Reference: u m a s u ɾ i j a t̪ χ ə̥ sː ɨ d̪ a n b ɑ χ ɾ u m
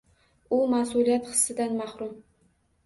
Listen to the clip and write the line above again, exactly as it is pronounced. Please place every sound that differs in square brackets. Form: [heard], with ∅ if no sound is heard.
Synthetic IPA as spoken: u m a s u [l] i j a t̪ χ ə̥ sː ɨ d̪ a n [m] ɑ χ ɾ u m